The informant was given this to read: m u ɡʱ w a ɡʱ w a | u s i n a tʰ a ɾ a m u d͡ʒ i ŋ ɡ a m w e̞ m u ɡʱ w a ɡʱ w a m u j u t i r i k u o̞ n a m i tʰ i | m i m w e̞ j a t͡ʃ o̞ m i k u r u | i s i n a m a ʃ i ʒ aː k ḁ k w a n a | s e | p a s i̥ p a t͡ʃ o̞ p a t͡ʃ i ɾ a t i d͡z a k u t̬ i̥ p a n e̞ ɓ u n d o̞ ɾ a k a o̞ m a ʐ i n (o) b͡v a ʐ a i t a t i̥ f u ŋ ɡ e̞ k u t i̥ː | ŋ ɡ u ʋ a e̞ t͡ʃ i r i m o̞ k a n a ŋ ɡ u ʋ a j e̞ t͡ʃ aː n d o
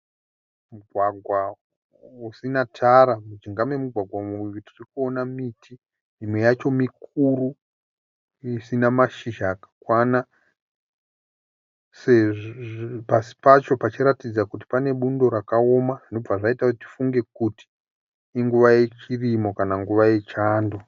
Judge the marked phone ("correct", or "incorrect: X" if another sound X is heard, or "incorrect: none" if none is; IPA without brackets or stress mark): correct